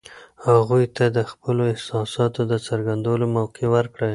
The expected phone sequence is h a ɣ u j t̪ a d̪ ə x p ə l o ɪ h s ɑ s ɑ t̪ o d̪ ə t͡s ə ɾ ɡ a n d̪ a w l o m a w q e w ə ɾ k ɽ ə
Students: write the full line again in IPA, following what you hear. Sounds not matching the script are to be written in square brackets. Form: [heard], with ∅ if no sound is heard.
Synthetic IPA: h a ɣ u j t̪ a d̪ ə x p ə l o ɪ h s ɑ s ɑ t̪ o d̪ ə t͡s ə ɾ ɡ a n d̪ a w l o m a w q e w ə ɾ k ɽ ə